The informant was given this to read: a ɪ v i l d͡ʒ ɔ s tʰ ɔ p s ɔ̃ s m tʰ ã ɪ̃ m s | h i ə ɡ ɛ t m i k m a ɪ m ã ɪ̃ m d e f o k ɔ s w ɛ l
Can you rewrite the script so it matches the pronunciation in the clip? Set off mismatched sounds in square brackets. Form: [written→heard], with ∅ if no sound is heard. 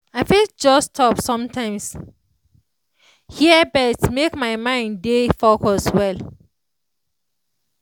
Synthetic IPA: a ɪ [v→f] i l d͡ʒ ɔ s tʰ ɔ p s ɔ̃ [s→∅] m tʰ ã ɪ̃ m s | h i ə [ɡ→b] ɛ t m [i→e] k m a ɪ m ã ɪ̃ [m→n] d e f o k ɔ s w ɛ l